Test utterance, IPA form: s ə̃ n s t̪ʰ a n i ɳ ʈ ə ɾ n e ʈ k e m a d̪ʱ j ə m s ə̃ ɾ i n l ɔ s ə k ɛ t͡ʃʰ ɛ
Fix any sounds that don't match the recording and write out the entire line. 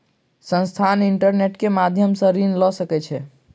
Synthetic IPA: s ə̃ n s t̪ʰ a n i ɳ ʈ ə ɾ n e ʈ k e m a d̪ʱ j ə m s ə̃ ɾ i n l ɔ s ə k ɛ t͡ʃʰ ɛ